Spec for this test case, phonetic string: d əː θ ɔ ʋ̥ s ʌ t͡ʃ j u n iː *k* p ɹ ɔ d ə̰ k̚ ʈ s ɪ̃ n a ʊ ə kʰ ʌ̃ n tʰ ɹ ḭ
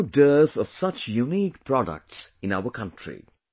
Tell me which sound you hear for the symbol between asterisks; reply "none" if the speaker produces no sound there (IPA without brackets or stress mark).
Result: k